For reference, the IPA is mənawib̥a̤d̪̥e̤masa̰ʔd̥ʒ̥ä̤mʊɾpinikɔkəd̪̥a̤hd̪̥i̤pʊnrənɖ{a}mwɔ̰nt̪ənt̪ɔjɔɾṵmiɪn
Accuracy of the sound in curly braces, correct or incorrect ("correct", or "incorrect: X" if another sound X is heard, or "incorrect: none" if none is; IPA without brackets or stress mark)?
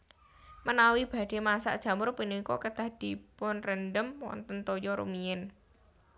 incorrect: ə